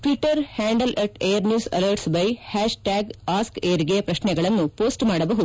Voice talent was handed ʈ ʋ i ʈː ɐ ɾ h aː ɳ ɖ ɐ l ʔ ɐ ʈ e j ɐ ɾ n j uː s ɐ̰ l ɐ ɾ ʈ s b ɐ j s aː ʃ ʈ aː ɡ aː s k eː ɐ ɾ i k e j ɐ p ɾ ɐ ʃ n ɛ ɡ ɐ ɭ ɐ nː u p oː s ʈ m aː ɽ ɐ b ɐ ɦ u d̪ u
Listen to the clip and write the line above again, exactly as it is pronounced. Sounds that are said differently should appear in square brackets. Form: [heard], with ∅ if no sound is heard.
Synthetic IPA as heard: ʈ ʋ i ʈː ɐ ɾ h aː ɳ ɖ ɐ l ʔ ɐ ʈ e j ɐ ɾ n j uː s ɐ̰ l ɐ ɾ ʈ s b ɐ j [h] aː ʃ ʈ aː ɡ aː s k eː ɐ ɾ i [ɡ] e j ɐ p ɾ ɐ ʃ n ɛ ɡ ɐ ɭ ɐ nː u p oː s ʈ m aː ɽ ɐ b ɐ ɦ u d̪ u